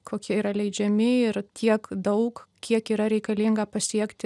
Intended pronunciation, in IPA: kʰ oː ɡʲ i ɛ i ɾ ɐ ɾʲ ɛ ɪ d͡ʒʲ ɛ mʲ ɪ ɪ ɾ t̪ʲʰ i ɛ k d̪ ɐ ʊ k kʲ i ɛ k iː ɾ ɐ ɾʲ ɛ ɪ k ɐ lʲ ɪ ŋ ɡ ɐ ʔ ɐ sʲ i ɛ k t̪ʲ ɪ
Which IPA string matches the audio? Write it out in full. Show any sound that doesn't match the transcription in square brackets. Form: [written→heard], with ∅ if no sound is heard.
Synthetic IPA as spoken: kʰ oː [ɡʲ→kʲ] i ɛ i ɾ ɐ [ɾʲ→lʲ] ɛ ɪ d͡ʒʲ ɛ mʲ ɪ ɪ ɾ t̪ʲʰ i ɛ k d̪ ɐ ʊ k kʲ i ɛ k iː ɾ ɐ ɾʲ ɛ ɪ k ɐ lʲ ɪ ŋ ɡ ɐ [ʔ→p] ɐ sʲ i ɛ k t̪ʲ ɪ